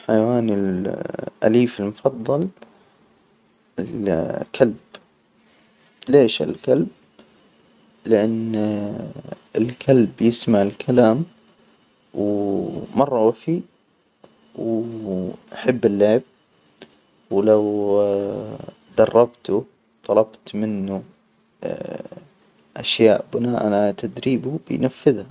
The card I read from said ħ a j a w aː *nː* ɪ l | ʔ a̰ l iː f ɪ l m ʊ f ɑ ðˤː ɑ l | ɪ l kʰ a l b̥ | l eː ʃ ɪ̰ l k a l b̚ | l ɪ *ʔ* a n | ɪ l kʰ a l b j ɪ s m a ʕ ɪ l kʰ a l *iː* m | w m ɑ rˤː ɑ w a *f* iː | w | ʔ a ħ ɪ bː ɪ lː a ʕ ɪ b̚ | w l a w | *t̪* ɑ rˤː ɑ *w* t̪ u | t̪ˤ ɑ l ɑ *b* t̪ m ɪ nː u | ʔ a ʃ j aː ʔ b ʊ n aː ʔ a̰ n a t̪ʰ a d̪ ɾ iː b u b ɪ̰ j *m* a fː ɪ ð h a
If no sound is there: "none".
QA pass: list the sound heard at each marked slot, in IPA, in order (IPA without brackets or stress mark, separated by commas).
n, ʔ, aː, f, d̪, b, b, n